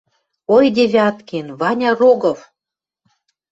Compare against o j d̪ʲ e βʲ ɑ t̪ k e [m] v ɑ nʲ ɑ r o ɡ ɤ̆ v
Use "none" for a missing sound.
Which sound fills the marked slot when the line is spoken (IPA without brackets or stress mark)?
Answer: n